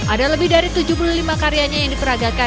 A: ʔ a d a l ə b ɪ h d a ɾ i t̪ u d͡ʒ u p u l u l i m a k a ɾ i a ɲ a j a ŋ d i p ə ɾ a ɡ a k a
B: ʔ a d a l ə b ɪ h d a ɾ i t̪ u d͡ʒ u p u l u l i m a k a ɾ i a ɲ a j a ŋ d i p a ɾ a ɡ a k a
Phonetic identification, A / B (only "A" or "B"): A